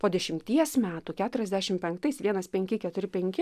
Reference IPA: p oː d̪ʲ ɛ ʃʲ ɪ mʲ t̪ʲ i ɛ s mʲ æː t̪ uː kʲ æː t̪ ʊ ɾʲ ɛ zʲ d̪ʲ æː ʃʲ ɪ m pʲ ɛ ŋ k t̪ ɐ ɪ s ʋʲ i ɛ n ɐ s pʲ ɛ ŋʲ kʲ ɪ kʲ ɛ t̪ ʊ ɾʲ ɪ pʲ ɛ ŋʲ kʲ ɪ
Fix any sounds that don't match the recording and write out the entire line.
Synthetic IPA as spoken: p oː d̪ʲ ɛ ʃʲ ɪ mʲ t̪ʲ i ɛ s mʲ æː t̪ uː kʲ æː t̪ ʊ ɾʲ ɛ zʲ d̪ʲ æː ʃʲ ɪ m pʲ ɛ ŋ k t̪ ɐ ɪ s ʋʲ i ɛ n ɐ s pʲ ɛ ŋʲ kʲ ɪ kʲ ɛ t̪ ʊ ɾʲ ɪ pʲ ɛ ŋʲ kʲ ɪ